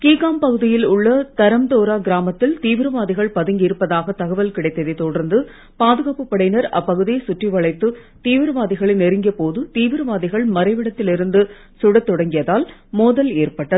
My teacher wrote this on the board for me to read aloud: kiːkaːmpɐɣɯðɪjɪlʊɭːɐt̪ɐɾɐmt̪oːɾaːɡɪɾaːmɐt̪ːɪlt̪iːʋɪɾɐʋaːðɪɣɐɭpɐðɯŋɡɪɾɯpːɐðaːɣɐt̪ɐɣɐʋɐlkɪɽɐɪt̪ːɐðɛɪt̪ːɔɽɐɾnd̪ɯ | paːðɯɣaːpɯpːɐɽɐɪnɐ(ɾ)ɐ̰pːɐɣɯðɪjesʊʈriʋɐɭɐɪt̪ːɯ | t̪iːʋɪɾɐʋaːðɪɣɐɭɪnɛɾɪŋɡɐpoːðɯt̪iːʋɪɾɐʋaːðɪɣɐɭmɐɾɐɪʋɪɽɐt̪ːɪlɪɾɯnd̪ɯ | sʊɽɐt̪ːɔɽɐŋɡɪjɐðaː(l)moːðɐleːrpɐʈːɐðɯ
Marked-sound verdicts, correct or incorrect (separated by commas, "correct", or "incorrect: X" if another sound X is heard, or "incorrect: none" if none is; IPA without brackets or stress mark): correct, correct